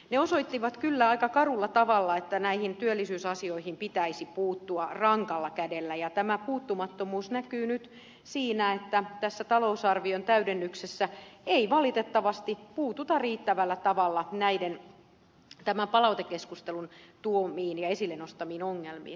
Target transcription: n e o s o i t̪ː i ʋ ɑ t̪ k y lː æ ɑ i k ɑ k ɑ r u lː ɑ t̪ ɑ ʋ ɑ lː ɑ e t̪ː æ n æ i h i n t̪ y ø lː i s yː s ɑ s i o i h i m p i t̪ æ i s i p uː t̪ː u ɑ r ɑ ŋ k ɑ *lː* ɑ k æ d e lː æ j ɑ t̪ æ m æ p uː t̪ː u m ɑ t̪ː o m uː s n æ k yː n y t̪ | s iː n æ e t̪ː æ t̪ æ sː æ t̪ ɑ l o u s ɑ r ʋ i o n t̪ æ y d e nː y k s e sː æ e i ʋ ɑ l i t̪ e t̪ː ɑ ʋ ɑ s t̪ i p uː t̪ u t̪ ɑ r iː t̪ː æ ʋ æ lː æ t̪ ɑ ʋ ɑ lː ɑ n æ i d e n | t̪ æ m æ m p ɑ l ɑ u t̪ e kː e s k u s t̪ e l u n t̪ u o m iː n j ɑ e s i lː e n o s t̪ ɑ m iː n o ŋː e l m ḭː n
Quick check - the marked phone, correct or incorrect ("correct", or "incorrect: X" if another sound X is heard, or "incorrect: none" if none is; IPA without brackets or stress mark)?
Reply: correct